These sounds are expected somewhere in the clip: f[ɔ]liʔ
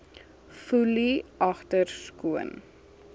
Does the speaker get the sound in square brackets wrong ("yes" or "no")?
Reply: yes